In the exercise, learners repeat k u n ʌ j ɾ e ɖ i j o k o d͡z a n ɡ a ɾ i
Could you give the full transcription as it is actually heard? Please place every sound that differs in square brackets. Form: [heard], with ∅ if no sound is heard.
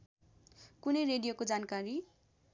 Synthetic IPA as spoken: k u n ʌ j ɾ e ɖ i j o k o d͡z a n [k] a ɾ i